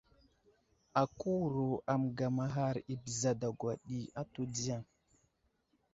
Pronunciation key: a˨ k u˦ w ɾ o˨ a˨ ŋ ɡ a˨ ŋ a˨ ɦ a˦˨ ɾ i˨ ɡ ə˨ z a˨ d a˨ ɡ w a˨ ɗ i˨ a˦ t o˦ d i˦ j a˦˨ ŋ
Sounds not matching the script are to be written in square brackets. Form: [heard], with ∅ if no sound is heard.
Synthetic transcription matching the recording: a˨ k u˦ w ɾ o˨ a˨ [m] ɡ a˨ [m] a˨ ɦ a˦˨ ɾ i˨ [b] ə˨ z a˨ d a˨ ɡ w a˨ ɗ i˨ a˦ t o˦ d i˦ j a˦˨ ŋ